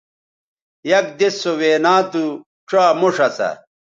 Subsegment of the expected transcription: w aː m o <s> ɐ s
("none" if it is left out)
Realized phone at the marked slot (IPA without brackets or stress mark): ʂ